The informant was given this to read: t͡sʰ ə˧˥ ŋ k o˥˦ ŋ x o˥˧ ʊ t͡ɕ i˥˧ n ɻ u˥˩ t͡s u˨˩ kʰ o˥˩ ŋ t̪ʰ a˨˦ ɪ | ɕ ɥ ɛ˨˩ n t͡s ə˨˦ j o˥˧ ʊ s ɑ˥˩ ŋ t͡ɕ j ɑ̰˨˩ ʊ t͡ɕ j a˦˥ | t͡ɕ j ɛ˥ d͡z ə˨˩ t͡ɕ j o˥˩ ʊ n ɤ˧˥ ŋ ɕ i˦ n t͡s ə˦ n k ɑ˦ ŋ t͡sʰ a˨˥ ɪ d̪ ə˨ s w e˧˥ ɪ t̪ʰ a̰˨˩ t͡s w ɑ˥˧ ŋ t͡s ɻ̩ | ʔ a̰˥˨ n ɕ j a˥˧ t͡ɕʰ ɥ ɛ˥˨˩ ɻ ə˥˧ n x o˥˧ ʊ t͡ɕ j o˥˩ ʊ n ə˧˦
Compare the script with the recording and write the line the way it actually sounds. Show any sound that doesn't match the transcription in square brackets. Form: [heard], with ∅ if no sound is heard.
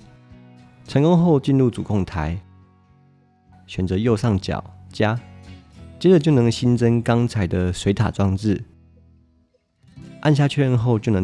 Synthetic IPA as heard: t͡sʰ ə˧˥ ŋ k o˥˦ ŋ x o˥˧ ʊ t͡ɕ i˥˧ n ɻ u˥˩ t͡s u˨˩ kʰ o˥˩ ŋ t̪ʰ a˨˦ ɪ | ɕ ɥ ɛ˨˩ n t͡s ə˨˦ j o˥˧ ʊ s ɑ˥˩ ŋ t͡ɕ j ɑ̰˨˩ ʊ t͡ɕ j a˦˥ | t͡ɕ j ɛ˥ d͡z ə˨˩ t͡ɕ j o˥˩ ʊ n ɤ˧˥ ŋ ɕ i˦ n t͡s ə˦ n k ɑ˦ ŋ t͡sʰ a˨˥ ɪ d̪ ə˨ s w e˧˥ ɪ t̪ʰ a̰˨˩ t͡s w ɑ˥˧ ŋ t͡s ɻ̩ | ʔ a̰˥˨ n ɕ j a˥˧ t͡ɕʰ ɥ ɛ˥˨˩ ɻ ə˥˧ n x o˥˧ ʊ t͡ɕ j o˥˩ ʊ n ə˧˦